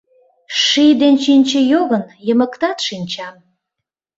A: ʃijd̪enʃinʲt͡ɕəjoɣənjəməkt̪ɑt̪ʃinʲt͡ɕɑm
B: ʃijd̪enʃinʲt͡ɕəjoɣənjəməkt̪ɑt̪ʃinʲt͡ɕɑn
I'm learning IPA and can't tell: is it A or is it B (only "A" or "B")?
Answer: A